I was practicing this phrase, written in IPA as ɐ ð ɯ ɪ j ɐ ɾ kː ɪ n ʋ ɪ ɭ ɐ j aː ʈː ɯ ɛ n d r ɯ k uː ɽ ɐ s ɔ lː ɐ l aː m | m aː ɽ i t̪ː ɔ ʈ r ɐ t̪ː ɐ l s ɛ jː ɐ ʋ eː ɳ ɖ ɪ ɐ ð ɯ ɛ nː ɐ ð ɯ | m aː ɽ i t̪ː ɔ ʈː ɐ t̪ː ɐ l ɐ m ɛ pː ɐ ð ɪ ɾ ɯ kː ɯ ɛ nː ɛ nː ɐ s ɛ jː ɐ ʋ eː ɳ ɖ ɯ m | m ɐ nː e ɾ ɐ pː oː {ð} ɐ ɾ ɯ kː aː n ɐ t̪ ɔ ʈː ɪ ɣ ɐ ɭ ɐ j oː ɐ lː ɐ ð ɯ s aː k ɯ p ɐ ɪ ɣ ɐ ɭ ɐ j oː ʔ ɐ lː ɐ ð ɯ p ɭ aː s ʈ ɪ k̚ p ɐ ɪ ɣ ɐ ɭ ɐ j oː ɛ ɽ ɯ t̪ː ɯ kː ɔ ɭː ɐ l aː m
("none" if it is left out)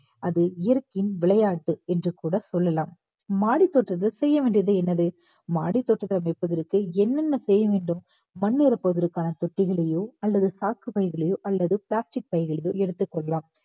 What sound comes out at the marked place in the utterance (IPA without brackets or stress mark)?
ð